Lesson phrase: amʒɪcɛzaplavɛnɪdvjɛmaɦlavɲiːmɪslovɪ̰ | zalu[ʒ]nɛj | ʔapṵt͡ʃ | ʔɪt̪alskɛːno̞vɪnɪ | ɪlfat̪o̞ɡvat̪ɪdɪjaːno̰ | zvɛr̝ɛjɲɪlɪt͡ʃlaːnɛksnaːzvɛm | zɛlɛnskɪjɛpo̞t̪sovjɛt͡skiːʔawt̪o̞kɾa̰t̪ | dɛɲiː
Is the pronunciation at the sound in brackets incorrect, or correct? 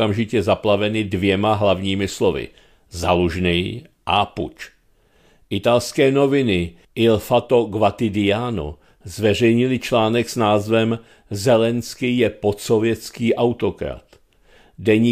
correct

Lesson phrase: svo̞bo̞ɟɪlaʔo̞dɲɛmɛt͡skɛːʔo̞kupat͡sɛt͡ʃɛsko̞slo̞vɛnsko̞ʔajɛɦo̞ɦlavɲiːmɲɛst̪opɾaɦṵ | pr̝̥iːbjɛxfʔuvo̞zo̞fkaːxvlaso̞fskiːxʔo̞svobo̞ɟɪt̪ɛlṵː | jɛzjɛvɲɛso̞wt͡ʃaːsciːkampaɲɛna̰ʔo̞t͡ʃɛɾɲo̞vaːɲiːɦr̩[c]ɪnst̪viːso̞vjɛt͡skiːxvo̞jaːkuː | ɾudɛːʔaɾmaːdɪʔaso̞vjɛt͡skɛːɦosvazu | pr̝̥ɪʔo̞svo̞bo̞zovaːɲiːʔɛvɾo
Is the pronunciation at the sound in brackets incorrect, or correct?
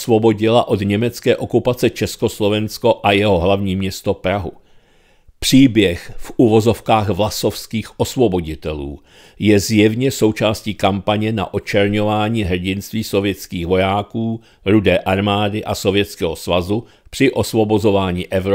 incorrect: ɟ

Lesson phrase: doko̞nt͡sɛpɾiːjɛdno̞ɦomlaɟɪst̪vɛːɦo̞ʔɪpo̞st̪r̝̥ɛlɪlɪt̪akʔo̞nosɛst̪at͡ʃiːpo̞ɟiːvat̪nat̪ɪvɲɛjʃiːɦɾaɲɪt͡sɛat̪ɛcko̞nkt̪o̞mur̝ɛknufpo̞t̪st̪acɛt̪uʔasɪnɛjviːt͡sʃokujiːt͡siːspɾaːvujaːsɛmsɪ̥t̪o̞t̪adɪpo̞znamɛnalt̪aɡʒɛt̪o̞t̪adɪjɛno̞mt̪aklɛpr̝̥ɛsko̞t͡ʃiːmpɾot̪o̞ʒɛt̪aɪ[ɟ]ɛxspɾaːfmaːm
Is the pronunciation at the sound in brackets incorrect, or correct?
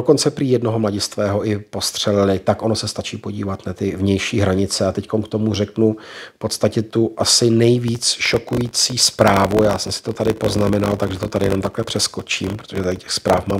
incorrect: c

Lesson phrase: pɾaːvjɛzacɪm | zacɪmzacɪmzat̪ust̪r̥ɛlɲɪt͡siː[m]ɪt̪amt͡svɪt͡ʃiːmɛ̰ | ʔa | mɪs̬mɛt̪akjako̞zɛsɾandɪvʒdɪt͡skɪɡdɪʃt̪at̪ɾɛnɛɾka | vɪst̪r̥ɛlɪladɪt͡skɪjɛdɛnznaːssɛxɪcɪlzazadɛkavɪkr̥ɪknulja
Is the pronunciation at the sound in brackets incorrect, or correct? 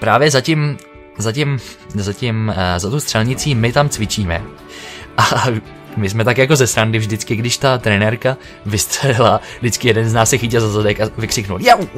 correct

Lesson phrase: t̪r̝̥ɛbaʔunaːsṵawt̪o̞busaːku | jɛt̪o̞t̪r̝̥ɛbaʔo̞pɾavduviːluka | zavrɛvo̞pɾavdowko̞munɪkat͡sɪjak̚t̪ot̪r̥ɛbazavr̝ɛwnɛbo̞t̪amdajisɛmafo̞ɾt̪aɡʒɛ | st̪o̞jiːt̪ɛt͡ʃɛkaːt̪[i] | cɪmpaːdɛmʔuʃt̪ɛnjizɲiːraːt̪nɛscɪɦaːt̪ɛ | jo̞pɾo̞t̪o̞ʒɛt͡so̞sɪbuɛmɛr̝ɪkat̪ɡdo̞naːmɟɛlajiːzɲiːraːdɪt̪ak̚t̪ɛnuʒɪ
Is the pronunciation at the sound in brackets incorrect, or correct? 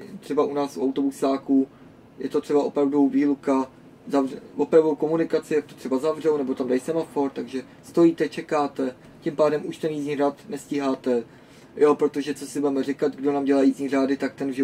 incorrect: ɛ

